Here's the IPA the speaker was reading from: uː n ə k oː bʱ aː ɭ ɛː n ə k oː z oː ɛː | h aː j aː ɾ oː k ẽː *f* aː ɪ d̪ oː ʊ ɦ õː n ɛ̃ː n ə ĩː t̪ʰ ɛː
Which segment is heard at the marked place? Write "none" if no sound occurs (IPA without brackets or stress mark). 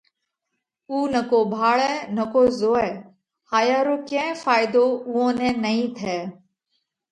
f